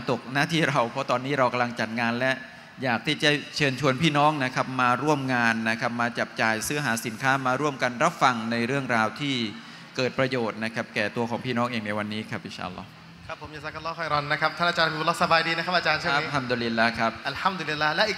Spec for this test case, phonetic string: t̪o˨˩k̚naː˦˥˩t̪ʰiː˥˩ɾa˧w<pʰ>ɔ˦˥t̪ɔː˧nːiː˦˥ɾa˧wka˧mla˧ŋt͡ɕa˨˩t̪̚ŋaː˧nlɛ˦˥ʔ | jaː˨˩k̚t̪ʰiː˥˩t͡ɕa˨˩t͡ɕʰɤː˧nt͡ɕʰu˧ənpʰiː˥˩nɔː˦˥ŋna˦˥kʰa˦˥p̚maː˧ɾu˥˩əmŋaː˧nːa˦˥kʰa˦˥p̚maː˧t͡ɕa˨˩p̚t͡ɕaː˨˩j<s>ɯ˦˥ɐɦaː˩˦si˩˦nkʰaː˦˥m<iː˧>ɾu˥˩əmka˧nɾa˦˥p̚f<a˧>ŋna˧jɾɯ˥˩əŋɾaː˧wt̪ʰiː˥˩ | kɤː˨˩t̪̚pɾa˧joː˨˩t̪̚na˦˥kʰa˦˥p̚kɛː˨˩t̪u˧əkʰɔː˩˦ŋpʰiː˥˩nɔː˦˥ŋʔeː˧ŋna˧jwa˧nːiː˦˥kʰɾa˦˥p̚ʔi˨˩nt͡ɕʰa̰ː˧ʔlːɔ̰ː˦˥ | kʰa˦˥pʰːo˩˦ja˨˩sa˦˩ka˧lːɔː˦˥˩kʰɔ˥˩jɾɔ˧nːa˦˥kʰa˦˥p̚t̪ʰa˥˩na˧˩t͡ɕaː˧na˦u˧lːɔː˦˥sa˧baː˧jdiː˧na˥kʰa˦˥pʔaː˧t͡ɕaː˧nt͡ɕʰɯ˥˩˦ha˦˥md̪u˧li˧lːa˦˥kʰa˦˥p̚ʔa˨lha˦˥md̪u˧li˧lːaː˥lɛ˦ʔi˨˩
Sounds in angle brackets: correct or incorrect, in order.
correct, correct, incorrect: aː˧, correct

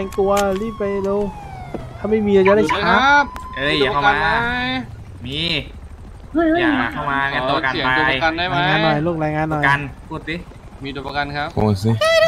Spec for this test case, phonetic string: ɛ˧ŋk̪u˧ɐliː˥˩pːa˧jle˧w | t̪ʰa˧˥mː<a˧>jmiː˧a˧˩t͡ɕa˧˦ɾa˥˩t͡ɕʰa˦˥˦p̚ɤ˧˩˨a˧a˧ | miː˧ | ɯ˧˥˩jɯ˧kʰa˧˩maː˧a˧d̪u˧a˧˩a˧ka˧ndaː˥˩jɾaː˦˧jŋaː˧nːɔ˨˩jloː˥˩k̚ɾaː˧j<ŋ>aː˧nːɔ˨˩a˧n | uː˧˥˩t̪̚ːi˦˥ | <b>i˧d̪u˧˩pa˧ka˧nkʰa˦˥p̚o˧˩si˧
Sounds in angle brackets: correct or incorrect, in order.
incorrect: a˥˩, correct, incorrect: m

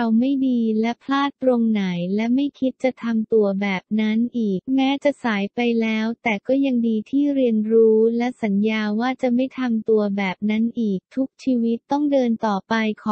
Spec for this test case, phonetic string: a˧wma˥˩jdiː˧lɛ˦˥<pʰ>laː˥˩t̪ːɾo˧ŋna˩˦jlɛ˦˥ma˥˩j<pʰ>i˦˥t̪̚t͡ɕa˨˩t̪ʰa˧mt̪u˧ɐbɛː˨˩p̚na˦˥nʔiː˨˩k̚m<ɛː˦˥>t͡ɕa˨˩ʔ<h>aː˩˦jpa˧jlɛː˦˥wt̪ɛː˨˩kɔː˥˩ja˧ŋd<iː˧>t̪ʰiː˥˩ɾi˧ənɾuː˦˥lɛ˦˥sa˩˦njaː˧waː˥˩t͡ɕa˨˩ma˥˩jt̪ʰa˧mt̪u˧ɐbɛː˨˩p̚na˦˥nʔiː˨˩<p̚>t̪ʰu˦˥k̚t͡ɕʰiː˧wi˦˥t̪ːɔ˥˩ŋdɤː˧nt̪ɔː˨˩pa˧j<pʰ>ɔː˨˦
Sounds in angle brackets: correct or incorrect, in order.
correct, incorrect: kʰ, correct, incorrect: s, correct, incorrect: k̚, incorrect: kʰ

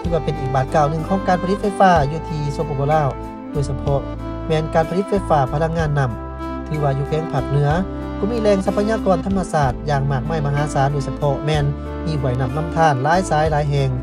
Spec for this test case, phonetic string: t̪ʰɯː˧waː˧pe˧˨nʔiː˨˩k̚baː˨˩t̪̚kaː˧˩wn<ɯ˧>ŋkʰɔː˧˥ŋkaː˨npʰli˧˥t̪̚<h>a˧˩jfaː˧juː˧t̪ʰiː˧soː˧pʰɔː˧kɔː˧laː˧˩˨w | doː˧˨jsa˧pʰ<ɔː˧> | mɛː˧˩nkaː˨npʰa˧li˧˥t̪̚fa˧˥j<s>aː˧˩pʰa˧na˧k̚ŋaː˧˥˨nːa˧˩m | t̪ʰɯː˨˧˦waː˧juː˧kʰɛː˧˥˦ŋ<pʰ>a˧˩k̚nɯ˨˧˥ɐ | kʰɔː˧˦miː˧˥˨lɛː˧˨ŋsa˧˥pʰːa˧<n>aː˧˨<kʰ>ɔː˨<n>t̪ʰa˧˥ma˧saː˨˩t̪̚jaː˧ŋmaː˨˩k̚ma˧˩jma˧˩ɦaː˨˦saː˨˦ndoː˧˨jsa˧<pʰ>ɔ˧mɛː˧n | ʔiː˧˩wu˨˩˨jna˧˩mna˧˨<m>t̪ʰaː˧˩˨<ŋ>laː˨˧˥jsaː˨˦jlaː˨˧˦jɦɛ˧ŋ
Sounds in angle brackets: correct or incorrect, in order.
correct, incorrect: f, incorrect: ɔ˧, incorrect: f, correct, incorrect: ɲ, incorrect: k, correct, correct, correct, incorrect: n

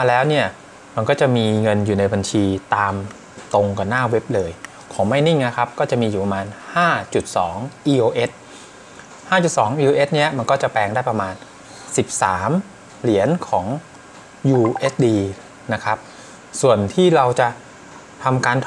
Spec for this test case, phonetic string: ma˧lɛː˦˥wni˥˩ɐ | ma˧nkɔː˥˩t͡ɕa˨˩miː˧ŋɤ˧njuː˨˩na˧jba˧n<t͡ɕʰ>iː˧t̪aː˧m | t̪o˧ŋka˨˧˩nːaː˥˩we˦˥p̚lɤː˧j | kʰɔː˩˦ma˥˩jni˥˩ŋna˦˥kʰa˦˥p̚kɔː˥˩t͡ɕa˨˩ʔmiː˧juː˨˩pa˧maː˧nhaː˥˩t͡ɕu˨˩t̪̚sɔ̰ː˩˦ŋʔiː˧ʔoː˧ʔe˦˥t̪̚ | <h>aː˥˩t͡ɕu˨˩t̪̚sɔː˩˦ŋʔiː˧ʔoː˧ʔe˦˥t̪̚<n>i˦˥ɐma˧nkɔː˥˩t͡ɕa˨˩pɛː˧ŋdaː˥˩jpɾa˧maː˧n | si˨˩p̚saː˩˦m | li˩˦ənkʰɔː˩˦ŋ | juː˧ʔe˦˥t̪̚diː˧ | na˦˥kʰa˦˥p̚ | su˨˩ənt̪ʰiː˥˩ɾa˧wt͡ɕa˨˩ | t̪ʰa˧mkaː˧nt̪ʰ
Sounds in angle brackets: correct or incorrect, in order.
correct, correct, correct

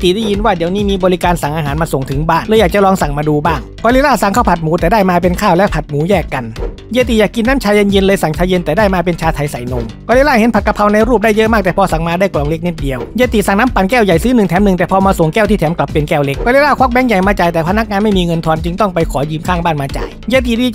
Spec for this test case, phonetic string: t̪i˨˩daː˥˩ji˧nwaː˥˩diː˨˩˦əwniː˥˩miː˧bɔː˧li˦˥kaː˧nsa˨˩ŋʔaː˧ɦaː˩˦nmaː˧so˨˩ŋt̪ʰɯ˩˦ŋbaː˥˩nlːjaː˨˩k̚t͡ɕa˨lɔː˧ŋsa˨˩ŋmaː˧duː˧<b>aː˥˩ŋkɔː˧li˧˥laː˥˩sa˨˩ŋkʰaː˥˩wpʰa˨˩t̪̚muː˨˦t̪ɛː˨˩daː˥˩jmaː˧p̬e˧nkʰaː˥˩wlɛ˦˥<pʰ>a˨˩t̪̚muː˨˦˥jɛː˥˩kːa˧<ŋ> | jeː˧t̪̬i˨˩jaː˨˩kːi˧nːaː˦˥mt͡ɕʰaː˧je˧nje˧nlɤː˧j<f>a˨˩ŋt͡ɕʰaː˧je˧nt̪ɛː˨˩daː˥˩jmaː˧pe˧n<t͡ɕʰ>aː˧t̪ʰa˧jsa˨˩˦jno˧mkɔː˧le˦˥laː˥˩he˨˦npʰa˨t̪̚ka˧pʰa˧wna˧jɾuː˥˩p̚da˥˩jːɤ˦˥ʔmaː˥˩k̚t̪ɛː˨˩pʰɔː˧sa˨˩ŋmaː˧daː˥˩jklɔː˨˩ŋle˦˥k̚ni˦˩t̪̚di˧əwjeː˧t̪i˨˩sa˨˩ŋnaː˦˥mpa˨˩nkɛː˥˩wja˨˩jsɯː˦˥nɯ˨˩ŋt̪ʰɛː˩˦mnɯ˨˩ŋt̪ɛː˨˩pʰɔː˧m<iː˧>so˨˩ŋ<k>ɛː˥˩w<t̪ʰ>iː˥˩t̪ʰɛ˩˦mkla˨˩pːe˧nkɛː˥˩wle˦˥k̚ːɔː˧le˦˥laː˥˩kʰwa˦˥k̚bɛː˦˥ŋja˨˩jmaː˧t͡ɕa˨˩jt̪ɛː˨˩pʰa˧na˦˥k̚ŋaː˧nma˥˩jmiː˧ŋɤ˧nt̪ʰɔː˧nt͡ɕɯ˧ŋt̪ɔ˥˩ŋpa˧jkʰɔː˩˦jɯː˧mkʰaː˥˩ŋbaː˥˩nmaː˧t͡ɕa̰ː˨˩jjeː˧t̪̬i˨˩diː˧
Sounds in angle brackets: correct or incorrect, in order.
correct, correct, incorrect: n, incorrect: s, correct, incorrect: aː˧, correct, incorrect: t̪

